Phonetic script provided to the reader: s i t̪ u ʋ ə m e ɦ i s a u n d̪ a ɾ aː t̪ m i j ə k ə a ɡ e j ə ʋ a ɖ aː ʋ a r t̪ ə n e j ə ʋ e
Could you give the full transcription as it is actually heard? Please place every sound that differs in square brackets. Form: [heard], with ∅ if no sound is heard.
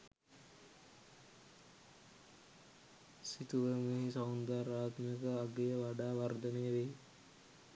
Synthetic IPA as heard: s i t̪ u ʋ ə m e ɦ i s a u n d̪ a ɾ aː t̪ m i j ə k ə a ɡ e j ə ʋ a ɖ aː ʋ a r [d̪] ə n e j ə ʋ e